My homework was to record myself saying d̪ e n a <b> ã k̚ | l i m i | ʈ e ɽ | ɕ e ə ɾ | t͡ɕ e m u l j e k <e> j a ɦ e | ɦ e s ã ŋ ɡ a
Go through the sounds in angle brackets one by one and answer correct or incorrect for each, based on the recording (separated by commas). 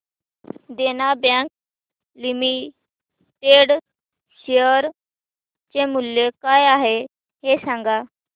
correct, incorrect